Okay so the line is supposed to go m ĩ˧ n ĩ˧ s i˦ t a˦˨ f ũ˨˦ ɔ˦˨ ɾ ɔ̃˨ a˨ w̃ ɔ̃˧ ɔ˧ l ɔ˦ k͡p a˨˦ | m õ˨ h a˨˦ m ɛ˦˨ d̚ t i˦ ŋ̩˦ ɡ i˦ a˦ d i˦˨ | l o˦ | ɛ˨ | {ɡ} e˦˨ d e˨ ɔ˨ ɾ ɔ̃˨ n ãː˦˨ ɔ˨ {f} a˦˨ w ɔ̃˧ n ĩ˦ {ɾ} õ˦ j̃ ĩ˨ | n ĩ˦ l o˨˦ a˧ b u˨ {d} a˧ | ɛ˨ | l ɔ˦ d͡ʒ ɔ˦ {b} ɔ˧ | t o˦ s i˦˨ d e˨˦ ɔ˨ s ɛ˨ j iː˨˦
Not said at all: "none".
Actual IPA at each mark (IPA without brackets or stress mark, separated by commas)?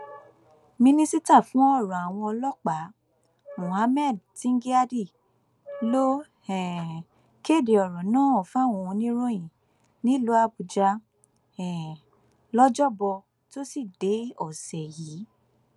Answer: k, f, ɾ, d͡ʒ, b